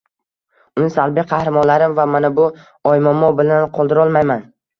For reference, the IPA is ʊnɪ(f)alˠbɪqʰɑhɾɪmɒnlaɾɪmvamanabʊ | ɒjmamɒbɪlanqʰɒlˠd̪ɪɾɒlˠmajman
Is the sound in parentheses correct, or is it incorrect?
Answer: incorrect: s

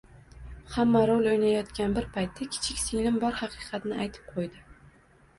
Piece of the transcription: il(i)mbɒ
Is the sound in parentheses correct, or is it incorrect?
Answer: incorrect: ɪ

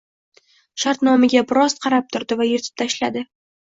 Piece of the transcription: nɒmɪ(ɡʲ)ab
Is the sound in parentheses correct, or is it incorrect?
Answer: correct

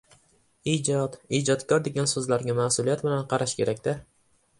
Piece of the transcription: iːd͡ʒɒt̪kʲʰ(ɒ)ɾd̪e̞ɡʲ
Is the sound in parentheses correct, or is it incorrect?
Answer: correct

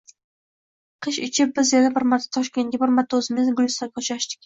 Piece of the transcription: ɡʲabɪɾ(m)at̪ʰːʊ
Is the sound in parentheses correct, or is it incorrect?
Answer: correct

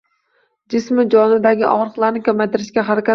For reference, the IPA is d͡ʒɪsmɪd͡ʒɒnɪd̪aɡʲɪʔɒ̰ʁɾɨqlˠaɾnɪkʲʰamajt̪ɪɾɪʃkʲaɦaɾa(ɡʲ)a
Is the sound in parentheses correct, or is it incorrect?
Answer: incorrect: kʲ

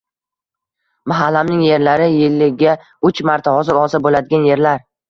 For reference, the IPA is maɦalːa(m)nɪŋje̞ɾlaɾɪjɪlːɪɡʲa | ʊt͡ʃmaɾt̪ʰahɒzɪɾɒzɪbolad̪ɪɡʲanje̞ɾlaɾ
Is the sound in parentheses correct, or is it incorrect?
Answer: correct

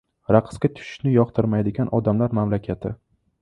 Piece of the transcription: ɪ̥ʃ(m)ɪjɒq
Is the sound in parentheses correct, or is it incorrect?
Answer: incorrect: n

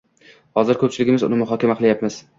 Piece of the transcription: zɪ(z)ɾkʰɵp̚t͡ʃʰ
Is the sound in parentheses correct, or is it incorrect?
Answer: incorrect: none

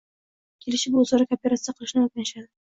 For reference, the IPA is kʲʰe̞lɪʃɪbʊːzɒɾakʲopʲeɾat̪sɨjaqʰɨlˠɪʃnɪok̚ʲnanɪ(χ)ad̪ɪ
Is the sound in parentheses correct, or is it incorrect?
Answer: incorrect: ʃ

